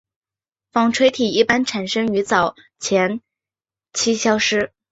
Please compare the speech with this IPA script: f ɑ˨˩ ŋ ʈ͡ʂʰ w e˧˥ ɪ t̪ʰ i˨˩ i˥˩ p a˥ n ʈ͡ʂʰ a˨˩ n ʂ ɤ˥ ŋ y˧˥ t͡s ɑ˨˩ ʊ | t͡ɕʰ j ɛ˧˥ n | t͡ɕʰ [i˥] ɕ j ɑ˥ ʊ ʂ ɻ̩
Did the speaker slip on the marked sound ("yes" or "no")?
no